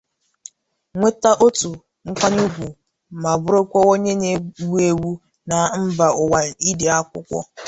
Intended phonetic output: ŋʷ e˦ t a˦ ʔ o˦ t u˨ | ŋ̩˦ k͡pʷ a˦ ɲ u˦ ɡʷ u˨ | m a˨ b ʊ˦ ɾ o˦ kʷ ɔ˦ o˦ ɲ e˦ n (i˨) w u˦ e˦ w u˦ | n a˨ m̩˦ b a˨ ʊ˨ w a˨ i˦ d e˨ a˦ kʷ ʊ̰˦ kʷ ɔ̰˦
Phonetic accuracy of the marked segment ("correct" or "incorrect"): incorrect